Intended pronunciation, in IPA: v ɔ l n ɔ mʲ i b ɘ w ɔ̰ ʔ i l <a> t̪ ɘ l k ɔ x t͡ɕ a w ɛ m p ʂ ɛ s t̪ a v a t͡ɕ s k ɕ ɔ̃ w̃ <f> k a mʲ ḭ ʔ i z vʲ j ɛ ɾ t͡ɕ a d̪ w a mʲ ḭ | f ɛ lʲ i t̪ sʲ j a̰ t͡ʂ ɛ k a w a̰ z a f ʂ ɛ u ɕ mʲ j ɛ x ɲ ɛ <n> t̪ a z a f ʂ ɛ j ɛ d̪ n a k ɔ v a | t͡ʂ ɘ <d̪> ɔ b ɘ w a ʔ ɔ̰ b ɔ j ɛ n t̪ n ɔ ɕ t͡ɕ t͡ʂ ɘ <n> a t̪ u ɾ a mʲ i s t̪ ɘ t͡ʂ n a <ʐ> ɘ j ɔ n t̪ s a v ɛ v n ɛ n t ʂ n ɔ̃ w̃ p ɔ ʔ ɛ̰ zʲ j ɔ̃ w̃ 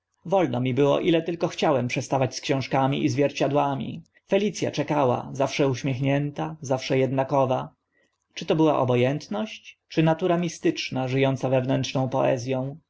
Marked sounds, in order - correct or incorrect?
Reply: incorrect: ɛ, incorrect: ʂ, correct, incorrect: t̪, correct, correct

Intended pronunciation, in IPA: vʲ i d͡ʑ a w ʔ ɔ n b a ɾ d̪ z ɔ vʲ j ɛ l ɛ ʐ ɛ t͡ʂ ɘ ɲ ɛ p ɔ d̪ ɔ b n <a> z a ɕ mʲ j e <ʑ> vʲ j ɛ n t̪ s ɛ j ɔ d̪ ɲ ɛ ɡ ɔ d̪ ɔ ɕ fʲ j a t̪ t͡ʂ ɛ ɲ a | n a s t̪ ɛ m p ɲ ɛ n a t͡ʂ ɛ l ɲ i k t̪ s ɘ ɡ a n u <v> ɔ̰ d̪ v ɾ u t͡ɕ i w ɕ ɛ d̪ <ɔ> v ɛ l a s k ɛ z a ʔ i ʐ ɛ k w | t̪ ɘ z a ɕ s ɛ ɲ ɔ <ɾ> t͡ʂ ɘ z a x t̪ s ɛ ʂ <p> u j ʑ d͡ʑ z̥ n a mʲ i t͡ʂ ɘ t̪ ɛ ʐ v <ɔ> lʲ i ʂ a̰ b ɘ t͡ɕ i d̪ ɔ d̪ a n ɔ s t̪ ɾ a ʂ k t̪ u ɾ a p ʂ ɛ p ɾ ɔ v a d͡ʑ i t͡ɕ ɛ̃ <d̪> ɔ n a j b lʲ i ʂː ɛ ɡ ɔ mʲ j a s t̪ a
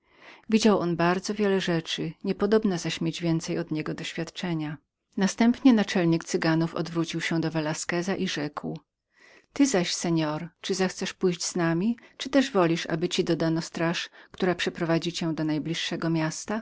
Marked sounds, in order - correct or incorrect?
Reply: correct, incorrect: d͡ʑ, incorrect: f, correct, correct, correct, correct, correct

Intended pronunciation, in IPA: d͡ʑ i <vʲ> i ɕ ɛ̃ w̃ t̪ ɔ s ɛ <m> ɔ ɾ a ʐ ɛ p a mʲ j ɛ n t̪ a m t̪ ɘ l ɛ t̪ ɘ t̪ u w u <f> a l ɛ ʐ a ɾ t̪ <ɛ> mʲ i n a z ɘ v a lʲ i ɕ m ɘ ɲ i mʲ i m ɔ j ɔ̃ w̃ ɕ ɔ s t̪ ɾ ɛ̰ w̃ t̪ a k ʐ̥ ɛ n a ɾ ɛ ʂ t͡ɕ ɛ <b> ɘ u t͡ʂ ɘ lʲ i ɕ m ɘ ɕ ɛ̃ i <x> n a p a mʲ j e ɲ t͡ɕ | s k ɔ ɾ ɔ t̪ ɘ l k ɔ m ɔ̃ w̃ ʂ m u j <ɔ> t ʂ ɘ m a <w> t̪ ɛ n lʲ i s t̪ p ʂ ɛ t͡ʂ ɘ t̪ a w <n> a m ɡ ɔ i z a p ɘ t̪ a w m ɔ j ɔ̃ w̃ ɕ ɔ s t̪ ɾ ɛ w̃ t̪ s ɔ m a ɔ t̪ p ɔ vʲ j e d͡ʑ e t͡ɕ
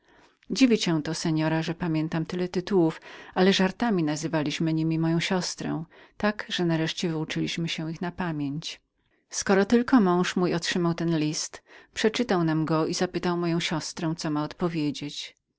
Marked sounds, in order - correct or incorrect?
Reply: correct, incorrect: ɲ, correct, incorrect: a, incorrect: v, correct, correct, correct, correct

